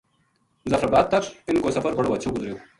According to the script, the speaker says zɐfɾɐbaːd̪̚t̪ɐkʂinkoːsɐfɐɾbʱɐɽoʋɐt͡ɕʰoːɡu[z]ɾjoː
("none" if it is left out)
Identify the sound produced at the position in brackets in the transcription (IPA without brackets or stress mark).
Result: z